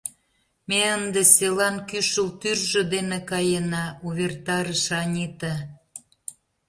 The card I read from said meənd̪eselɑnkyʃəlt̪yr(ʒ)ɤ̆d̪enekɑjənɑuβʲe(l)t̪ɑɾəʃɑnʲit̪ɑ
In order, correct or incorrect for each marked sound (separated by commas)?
correct, incorrect